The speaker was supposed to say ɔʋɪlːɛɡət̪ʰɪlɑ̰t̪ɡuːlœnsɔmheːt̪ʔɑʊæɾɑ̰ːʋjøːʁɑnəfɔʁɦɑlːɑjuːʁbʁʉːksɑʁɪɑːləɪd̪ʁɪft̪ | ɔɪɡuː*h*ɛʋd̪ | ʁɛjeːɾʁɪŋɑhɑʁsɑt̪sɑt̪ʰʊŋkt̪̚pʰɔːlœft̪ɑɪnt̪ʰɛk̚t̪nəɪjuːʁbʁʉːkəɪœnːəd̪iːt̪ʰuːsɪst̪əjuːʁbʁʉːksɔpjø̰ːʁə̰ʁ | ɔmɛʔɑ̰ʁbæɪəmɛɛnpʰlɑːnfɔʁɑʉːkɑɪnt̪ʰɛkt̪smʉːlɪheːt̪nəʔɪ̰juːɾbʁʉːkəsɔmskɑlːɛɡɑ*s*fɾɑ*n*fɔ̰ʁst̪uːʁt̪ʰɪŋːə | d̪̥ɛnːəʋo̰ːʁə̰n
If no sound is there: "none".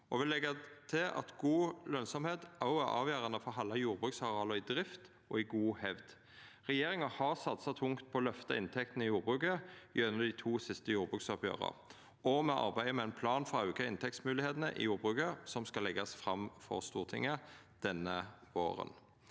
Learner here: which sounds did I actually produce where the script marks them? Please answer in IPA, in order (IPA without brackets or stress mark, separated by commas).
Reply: h, s, m